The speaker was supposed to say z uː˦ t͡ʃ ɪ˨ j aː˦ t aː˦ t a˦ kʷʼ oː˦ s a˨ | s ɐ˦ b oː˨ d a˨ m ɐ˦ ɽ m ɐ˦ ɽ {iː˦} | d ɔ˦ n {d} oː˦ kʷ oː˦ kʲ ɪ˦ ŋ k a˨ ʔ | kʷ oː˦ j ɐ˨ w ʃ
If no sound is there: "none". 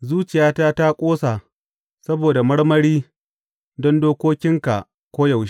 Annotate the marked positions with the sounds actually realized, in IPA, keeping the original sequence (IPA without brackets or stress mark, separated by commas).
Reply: iː˦, d